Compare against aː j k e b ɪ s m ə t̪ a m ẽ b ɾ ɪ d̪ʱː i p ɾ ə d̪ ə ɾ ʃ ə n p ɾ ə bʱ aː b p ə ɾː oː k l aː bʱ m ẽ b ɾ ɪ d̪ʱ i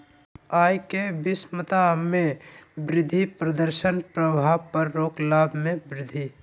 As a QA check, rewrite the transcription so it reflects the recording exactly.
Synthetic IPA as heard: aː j k e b ɪ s m ə t̪ a m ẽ b ɾ ɪ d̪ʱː i p ɾ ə d̪ ə ɾ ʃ ə n p ɾ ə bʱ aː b p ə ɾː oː k l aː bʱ m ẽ b ɾ ɪ d̪ʱ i